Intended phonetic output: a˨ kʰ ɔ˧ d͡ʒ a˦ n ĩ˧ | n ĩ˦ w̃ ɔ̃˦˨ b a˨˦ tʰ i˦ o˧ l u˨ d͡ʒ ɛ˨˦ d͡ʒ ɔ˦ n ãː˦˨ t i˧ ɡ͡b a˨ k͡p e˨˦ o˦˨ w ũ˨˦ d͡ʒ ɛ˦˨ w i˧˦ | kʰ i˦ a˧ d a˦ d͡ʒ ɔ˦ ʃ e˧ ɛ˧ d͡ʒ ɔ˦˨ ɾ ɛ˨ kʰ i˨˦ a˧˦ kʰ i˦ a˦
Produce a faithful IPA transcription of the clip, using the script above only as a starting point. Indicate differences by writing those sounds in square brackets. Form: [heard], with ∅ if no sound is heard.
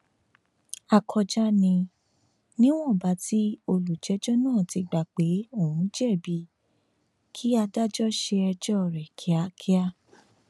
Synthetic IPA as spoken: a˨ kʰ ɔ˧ d͡ʒ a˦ n ĩ˧ | n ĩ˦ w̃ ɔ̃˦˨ b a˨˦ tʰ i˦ o˧ l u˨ d͡ʒ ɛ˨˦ d͡ʒ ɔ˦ n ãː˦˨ t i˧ ɡ͡b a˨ k͡p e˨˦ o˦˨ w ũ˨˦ d͡ʒ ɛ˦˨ [b] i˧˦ | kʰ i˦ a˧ d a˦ d͡ʒ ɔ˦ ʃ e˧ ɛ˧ d͡ʒ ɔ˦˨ ɾ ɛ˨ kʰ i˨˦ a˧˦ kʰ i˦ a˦